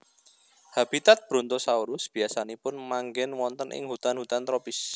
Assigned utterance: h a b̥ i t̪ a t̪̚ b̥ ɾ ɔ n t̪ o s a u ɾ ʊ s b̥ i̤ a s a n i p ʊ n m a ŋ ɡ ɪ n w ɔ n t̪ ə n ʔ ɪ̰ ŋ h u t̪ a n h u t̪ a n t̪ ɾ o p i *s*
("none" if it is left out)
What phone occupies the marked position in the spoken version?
s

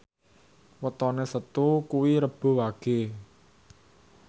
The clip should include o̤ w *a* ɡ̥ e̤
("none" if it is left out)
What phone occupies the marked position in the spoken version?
a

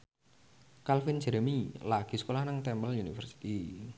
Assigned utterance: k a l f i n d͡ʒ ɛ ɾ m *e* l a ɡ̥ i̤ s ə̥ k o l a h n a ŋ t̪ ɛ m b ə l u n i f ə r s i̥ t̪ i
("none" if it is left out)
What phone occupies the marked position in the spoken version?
i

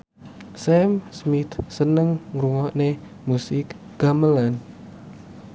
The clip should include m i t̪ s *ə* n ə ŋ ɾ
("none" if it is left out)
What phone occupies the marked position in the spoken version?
ə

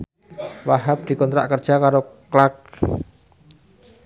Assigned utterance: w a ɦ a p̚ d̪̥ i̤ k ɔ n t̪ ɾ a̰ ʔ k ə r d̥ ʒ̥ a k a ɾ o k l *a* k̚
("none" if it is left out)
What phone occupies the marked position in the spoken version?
a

